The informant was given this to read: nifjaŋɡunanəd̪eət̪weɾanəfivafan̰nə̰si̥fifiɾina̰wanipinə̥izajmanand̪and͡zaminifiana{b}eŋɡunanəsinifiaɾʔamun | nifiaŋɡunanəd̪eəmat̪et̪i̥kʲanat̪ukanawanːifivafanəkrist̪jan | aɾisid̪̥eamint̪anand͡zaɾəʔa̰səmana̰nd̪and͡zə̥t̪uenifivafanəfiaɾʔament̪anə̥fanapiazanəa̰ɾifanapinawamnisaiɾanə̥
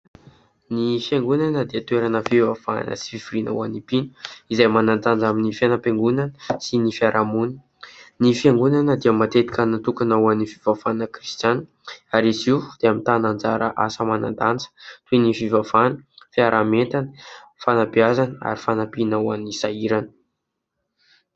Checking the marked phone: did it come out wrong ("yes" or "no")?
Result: yes